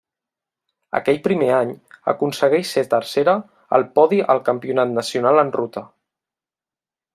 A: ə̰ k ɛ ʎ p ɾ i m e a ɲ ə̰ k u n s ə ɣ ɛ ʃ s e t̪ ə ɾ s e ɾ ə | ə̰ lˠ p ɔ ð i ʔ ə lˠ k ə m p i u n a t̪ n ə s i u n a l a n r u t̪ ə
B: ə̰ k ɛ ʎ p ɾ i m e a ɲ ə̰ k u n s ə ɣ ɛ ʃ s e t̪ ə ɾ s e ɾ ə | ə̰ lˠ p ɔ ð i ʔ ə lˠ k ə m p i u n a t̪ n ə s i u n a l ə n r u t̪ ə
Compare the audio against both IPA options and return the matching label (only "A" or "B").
B